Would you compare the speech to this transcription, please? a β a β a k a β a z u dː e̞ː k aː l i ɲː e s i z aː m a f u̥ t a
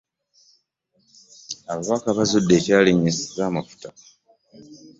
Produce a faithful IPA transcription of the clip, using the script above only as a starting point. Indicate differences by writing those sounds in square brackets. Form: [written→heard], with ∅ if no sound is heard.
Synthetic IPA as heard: a β a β a k a β a z u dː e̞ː [k→c] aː l i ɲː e s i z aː m a f u̥ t a